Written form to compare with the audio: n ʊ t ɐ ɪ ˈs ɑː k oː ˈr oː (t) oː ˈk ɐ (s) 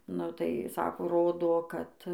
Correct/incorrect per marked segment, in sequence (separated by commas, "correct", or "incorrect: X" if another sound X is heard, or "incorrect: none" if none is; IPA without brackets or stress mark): incorrect: d, incorrect: t